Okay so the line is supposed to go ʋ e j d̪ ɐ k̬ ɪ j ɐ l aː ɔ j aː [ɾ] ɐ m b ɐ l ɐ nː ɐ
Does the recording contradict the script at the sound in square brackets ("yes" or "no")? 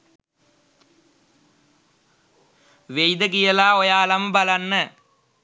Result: yes